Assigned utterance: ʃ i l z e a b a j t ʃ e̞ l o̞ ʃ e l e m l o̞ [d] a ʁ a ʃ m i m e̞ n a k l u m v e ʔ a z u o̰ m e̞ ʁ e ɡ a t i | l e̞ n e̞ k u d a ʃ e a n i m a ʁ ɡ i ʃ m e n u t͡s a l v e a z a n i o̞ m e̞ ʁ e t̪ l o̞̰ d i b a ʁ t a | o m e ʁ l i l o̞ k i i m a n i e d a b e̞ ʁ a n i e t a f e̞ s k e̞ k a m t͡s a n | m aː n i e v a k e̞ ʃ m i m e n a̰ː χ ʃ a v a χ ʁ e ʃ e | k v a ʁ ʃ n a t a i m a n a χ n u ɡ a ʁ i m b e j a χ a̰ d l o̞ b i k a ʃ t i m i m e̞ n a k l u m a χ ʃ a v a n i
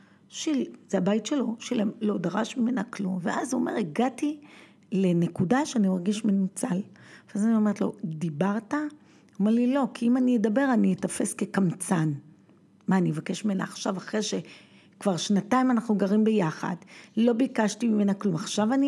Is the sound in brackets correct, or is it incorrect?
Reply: correct